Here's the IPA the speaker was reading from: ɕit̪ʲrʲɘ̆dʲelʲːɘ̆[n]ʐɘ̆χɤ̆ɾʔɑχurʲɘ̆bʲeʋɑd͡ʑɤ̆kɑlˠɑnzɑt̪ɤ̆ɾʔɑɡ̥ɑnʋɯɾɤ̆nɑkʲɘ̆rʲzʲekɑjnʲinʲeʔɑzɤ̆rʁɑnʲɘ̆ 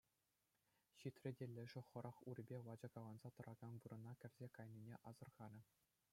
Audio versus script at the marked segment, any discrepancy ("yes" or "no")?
yes